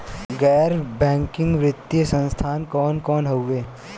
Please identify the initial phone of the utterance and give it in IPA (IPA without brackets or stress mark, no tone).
ɡ